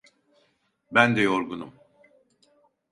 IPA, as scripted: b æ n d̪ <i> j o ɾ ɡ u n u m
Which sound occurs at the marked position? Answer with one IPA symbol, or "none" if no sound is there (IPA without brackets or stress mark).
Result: ɛ